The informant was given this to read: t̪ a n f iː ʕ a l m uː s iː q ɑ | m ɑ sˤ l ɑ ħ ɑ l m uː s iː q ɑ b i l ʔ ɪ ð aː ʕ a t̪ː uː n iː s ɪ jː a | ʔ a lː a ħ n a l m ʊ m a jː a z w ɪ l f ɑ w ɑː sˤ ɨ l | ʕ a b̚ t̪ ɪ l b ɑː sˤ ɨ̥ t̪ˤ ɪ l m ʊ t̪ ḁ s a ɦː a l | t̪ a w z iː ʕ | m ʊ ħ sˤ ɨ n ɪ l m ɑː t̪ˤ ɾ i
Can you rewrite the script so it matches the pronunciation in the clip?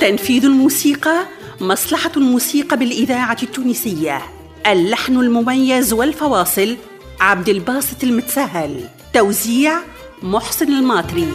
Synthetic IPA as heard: t̪ a n f iː ð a l m uː s iː q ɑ | m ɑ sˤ l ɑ ħ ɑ l m uː s iː q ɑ b ɪ l ʔ ɪ ð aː ʕ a t̪ː uː n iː s ɪ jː a | ʔ a lː a ħ n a l m ʊ m a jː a z w ɪ l f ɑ w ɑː sˤ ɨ l | ʕ a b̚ d̪ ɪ l b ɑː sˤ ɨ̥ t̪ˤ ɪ l m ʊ t̪ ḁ s a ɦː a l | t̪ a w z iː ʕ | m ʊ ħ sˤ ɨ n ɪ l m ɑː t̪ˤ ɾ i